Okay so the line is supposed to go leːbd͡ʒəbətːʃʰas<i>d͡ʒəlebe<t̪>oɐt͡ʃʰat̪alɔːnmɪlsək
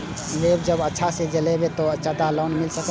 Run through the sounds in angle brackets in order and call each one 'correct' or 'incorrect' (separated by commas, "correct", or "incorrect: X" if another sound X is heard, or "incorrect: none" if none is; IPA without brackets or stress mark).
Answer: incorrect: e, correct